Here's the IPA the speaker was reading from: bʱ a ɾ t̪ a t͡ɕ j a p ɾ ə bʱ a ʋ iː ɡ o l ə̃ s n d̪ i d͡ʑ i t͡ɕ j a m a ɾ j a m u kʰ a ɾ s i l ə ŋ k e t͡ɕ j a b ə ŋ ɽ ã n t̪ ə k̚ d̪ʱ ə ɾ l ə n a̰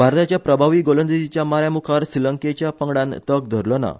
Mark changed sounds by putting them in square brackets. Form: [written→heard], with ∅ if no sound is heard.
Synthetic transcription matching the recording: bʱ a ɾ t̪ a t͡ɕ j a p ɾ ə bʱ a ʋ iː ɡ o l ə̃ [s→∅] n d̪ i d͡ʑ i t͡ɕ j a m a ɾ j a m u kʰ a ɾ s i l ə ŋ k e t͡ɕ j a [b→p] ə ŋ ɽ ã n t̪ ə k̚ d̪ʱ ə ɾ l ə n a̰

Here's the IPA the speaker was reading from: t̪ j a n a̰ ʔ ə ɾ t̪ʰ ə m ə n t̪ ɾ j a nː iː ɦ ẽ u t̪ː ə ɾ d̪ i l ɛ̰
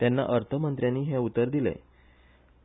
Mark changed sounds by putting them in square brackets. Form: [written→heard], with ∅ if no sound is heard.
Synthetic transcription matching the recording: t̪ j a [n→nː] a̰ ʔ ə ɾ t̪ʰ ə m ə n t̪ ɾ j a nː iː ɦ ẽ u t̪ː ə ɾ d̪ i l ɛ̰

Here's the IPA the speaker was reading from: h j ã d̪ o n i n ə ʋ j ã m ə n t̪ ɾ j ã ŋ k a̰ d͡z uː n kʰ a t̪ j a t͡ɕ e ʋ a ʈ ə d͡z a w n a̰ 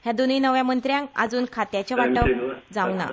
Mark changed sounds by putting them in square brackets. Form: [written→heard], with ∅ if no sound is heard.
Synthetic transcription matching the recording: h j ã d̪ o n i n ə ʋ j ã m ə n t̪ ɾ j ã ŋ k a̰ d͡z uː n kʰ a t̪ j a t͡ɕ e ʋ a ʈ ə d͡z a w n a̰

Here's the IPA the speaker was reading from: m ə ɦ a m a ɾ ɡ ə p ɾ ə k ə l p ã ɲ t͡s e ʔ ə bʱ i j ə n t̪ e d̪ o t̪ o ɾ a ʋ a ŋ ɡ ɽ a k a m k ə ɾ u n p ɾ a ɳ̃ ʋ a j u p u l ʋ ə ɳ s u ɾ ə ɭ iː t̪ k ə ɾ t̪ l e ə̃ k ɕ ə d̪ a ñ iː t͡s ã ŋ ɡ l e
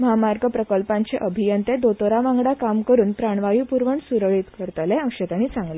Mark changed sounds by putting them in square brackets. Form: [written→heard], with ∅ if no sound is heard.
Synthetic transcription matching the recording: m ə ɦ a m a ɾ ɡ ə p ɾ ə k ə l p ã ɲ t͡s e ʔ ə bʱ i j ə n t̪ e d̪ o t̪ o ɾ a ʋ a ŋ ɡ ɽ a k a m k ə ɾ [u→uː] n p ɾ a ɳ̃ ʋ a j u p u [l→ɾ] ʋ ə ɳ s u ɾ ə ɭ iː t̪ k ə ɾ t̪ l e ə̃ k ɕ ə [d̪→t̪] a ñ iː t͡s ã ŋ ɡ l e

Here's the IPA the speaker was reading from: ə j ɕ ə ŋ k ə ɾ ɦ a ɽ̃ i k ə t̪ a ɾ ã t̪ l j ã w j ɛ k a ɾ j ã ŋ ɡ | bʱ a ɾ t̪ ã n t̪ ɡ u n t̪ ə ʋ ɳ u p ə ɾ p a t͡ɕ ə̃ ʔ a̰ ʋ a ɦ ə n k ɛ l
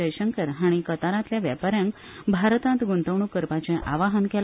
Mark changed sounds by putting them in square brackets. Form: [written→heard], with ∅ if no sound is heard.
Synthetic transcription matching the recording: ə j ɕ ə ŋ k ə ɾ ɦ a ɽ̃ i k ə t̪ a ɾ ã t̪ l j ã [w→ʋ] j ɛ [k→p] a ɾ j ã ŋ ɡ | bʱ a ɾ t̪ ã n t̪ ɡ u n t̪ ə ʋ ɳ u [p→k] ə ɾ p a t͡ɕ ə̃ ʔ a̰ ʋ a ɦ ə n k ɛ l

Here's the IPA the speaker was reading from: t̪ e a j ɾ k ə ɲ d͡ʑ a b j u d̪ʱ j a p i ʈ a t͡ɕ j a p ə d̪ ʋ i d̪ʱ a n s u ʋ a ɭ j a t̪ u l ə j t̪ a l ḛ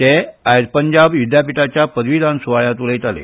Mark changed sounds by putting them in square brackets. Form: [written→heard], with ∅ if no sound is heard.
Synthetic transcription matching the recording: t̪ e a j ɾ [k→p] ə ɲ d͡ʑ a b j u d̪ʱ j a p i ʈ a t͡ɕ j a p ə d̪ ʋ i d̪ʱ a n s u ʋ a ɭ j a t̪ u l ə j t̪ a l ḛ

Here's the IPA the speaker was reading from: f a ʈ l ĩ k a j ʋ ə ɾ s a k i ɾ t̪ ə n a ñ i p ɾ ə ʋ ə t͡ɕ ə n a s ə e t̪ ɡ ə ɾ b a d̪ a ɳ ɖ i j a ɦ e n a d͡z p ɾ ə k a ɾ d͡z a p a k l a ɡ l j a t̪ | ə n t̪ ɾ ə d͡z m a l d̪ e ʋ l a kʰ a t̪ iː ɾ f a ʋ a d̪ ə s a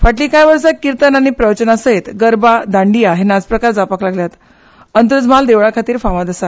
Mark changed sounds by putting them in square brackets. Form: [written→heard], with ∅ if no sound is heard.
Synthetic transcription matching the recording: f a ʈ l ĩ k a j ʋ ə ɾ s a k i ɾ t̪ ə n a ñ i p ɾ ə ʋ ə t͡ɕ ə n a s ə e t̪ ɡ ə ɾ b a d̪ a ɳ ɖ i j a ɦ e n a d͡z p ɾ ə k a ɾ d͡z a p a k l a ɡ l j a t̪ | ə n t̪ ɾ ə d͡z m a l d̪ e ʋ [l→ɭ] a kʰ a t̪ iː ɾ f a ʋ a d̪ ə s a

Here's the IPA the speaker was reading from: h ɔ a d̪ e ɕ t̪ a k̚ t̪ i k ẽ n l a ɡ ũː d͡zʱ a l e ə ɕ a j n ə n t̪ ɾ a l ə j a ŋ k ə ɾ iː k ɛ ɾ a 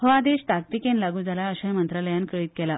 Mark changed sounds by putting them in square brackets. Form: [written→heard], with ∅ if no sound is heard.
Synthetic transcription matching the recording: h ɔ a d̪ e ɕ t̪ a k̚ t̪ i k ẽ n l a ɡ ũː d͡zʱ a l [e→a] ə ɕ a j [n→m] ə n t̪ ɾ a l ə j a [ŋ→n] k ə [ɾ→ɭ] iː k ɛ [ɾ→l] a

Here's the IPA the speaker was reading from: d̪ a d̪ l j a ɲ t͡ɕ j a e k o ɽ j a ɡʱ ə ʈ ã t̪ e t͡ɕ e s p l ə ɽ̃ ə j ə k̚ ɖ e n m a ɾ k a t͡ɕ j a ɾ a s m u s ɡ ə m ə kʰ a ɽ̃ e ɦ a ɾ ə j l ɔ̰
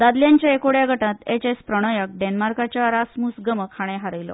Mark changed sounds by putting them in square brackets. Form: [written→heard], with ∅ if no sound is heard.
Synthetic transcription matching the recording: d̪ a d̪ l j a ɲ t͡ɕ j a e k o ɽ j a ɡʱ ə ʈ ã t̪ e t͡ɕ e s p [l→ɾ] ə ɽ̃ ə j ə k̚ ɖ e n m a ɾ k a t͡ɕ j a ɾ a s m u s ɡ ə m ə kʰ a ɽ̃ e ɦ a ɾ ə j l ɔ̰

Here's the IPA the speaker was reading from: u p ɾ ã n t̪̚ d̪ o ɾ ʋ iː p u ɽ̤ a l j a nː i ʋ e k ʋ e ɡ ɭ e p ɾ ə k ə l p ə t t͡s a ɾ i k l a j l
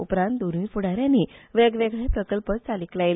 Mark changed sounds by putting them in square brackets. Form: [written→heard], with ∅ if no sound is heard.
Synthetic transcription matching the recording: u p ɾ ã n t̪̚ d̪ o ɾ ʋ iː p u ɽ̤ a [l→ɾ] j a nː i ʋ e [k→ɡ] ʋ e ɡ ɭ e p ɾ ə k ə l p ə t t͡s a [ɾ→l] i k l a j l

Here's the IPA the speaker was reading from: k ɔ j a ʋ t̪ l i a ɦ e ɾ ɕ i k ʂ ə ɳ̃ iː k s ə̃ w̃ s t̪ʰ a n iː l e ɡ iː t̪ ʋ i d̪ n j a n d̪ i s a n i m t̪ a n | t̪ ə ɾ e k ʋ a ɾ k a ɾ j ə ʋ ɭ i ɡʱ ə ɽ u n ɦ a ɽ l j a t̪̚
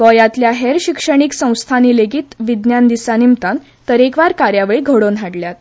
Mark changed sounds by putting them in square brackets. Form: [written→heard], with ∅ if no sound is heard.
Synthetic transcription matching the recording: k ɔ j a [ʋ→∅] t̪ l [i→j] a ɦ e ɾ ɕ i k ʂ ə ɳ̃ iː k s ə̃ w̃ s t̪ʰ a n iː l e ɡ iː t̪ ʋ i d̪ n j a n d̪ i s a n i m t̪ a n | t̪ ə ɾ e k ʋ a ɾ k a ɾ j [ə→a] ʋ ɭ i ɡʱ ə ɽ [u→o] n ɦ a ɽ l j a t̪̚

